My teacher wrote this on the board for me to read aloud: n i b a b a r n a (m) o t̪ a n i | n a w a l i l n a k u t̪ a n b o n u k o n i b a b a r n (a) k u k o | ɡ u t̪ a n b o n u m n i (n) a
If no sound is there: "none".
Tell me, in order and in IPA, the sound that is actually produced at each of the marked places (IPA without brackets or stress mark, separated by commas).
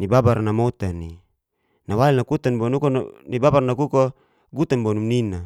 m, a, n